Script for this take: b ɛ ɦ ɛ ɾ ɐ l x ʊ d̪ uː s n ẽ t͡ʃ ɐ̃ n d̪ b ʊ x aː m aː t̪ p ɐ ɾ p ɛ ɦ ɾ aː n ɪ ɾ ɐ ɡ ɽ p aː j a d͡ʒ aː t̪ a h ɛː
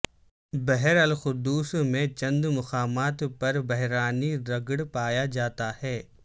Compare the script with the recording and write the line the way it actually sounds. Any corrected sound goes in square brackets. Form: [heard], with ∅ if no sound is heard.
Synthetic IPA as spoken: b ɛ ɦ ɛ ɾ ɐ l x ʊ d̪ uː s [m] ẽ t͡ʃ ɐ̃ n d̪ [m] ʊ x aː m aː t̪ p ɐ ɾ [b] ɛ ɦ ɾ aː n [i] ɾ ɐ ɡ ɽ p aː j a d͡ʒ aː t̪ a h ɛː